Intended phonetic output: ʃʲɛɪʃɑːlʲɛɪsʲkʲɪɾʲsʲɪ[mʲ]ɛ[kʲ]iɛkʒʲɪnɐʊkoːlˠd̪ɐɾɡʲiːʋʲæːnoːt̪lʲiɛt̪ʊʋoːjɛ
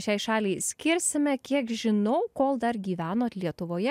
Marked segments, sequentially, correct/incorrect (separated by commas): correct, correct